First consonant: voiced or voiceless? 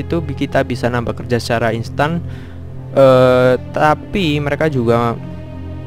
voiceless